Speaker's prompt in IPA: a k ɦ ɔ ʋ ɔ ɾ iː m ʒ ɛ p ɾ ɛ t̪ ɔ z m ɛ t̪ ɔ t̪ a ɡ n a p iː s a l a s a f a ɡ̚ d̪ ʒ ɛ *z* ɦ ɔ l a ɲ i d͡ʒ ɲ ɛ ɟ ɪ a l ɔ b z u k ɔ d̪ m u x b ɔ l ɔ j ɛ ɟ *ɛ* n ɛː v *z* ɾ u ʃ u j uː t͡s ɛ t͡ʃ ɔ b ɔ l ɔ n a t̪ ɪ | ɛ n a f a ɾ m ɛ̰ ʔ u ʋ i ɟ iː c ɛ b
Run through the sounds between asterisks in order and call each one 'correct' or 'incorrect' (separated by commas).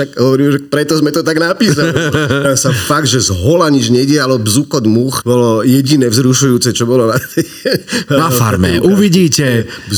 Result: correct, incorrect, correct